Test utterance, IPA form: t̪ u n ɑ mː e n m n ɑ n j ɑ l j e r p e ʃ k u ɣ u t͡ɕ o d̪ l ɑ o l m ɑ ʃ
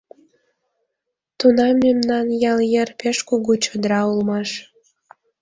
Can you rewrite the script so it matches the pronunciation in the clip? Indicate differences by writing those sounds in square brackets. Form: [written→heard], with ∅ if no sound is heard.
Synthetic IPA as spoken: t̪ u n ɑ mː e [n→∅] m n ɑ n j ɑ l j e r p e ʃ k u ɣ u t͡ɕ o d̪ [l→ɾ] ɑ [o→u] l m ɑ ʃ